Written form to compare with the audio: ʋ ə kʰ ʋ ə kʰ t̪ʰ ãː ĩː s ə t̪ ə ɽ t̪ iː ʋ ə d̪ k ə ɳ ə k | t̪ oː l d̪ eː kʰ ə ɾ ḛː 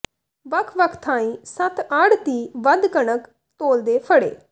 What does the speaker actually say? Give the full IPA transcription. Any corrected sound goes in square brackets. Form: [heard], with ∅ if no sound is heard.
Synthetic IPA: ʋ ə kʰ ʋ ə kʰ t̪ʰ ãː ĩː s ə t̪ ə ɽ t̪ iː ʋ ə d̪ k ə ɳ ə k | t̪ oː l d̪ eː [pʰ] ə [ɽ] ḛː